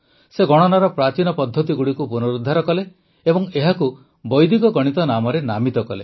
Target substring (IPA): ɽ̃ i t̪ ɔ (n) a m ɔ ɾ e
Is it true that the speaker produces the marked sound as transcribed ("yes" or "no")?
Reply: yes